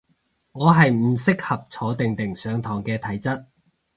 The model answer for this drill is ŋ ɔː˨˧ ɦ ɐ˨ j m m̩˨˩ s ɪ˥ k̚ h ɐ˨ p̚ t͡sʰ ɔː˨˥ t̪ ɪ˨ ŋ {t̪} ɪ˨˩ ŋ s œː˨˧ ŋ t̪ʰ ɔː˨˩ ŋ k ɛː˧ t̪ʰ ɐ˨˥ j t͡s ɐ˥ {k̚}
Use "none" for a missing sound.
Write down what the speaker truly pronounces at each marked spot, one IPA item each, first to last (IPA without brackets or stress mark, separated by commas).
t̪, t̚